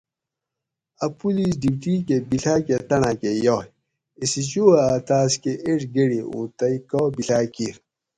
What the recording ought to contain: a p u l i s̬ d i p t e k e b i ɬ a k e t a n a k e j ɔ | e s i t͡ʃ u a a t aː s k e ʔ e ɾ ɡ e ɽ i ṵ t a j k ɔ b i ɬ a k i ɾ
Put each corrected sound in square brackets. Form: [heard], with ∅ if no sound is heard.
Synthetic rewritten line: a p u l i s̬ d i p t [i] k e b i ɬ a k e t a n a k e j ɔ | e s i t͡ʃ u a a t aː s k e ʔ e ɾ ɡ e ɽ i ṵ t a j k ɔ b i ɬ a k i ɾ